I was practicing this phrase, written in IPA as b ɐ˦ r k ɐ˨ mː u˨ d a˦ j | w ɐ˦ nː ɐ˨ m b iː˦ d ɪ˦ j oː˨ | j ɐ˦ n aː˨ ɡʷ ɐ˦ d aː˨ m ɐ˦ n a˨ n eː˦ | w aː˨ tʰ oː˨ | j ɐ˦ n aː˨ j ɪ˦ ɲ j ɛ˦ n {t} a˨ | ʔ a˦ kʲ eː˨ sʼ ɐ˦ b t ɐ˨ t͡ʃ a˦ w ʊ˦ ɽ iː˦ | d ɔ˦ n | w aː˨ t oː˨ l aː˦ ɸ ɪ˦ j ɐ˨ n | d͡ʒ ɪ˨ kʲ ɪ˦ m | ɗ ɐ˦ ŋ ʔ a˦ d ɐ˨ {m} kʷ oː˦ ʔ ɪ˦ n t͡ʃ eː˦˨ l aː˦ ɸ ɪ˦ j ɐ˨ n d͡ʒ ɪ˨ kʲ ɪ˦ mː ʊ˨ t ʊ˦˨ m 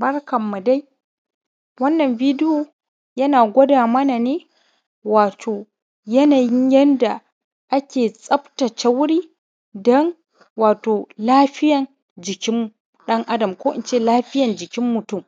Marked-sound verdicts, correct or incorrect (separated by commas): incorrect, correct